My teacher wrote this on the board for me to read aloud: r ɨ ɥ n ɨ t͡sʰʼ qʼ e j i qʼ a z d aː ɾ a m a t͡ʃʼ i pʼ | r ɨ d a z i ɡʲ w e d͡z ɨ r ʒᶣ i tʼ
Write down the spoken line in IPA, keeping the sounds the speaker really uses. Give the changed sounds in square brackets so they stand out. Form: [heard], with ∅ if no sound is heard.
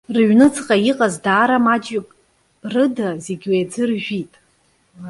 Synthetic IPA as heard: r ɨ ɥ n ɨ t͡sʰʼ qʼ [a] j i qʼ a z d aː ɾ a m a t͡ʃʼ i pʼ | r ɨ d a z [e] ɡʲ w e d͡z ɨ r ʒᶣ i tʼ